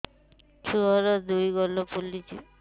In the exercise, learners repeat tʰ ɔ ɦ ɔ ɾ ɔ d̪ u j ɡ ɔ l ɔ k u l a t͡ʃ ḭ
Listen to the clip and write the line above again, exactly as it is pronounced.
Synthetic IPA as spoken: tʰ u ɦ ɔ ɾ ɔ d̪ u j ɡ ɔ l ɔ p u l i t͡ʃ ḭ